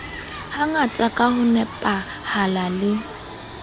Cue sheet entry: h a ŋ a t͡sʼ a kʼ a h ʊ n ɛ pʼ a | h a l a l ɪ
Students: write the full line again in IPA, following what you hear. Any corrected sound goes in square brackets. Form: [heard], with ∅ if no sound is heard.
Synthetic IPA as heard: h a ŋ a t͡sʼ a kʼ a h ʊ n ɛ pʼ a | h a l a l ɪ